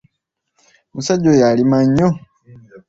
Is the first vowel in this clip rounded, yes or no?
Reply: yes